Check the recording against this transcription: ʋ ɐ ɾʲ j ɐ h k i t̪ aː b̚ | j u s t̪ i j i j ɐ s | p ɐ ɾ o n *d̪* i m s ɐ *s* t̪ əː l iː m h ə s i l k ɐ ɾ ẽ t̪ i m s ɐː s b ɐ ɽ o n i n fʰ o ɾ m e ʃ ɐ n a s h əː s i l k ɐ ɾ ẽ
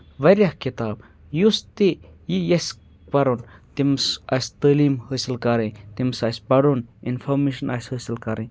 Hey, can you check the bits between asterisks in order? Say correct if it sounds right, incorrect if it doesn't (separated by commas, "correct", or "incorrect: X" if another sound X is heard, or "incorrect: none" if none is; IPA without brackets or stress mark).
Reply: incorrect: t̪, correct